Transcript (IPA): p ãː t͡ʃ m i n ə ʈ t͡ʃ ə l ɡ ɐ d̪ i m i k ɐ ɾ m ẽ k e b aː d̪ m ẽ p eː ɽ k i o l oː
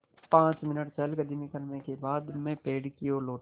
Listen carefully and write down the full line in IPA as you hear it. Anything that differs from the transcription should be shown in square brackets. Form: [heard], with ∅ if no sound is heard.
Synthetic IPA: p ãː t͡ʃ m [ɪ] n ə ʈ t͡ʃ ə l ɡ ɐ d̪ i m i k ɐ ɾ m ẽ k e b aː d̪ m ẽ p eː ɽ k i o l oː